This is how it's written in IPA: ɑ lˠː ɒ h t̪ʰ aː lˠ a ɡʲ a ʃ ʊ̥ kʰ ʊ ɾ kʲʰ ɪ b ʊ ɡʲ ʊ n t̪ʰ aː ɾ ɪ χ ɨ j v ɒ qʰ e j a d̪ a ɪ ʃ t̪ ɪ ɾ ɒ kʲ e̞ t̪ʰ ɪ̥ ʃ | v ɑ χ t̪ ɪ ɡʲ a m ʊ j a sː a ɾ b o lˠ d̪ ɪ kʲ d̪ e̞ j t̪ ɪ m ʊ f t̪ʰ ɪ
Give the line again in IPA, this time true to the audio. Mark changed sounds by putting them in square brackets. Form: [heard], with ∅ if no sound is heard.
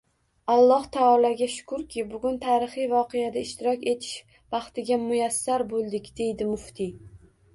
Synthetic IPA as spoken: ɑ lˠː ɒ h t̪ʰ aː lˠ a ɡʲ a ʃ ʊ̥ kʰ ʊ ɾ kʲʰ ɪ b ʊ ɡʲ ʊ n t̪ʰ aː ɾ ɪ χ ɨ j v ɒ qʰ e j a d̪ a ɪ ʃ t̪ ɪ ɾ ɒ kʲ e̞ t̪ʰ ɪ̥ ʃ | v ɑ χ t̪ ɪ ɡʲ a m ʊ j a sː a ɾ b o lˠ d̪ ɪ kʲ d̪ e̞ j [d̪] ɪ m ʊ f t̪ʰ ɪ